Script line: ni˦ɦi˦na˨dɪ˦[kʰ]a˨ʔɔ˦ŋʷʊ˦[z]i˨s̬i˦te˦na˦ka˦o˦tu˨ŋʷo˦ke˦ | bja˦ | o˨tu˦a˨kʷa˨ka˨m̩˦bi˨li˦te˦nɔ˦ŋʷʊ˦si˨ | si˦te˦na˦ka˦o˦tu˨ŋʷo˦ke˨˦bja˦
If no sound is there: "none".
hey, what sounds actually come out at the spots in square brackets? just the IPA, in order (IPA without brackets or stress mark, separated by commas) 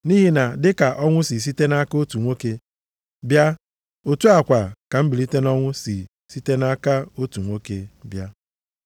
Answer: k, s